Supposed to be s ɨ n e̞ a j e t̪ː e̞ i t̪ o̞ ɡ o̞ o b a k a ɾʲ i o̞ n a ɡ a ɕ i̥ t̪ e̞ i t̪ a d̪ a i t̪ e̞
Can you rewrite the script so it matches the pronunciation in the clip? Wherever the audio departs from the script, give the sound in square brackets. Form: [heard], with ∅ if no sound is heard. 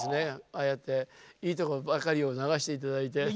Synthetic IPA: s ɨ n e̞ a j e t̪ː e̞ [iː] t̪ o̞ [k] o̞ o b a k a ɾʲ i o̞ n a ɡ a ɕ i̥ t̪ e̞ i t̪ a d̪ a i t̪ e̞